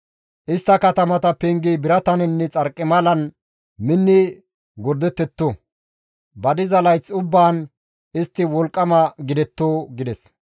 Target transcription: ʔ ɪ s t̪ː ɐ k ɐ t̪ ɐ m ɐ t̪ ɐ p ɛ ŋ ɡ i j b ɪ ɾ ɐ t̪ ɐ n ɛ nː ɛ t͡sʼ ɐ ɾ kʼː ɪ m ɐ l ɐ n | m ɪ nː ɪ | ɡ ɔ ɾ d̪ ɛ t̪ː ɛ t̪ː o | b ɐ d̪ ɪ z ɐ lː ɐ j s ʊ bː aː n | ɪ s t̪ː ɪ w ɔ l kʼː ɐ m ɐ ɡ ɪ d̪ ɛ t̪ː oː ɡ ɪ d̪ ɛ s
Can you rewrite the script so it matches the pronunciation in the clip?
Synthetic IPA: ʔ ɪ s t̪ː ɐ k ɐ t̪ ɐ m ɐ t̪ ɐ p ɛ ŋ ɡ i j b ɪ ɾ ɐ t̪ ɐ n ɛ nː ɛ t͡sʼ ɐ ɾ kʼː ɪ m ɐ l ɐ n | m ɪ nː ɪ | ɡ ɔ ɾ d̪ ɛ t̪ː ɛ t̪ː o | b ɐ d̪ ɪ z ɐ l ɐ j t͡s ʊ bː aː n | ɪ s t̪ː ɪ w ɔ l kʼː ɐ m ɐ ɡ ɪ d̪ ɛ t̪ː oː ɡ ɪ d̪ ɛ s